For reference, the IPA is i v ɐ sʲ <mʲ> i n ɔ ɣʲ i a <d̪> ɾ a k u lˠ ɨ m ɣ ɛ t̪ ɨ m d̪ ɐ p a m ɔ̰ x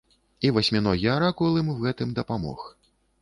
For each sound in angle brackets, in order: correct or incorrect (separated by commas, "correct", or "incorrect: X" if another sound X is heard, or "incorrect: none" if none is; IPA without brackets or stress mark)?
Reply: correct, incorrect: none